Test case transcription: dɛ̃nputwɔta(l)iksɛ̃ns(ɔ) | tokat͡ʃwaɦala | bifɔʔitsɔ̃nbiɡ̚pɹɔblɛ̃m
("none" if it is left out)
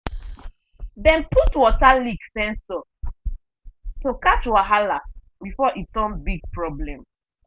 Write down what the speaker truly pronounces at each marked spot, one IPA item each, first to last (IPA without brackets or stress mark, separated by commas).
l, ɔ